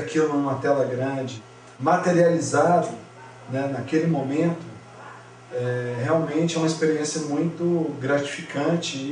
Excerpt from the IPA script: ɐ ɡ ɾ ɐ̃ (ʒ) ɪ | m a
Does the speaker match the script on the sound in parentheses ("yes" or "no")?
no